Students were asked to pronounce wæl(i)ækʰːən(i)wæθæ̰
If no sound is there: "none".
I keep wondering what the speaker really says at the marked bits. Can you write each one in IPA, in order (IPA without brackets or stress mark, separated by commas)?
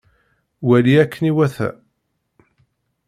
i, i